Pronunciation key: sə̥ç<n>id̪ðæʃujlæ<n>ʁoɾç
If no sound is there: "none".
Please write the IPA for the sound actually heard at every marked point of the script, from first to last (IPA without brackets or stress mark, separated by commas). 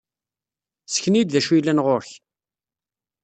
n, n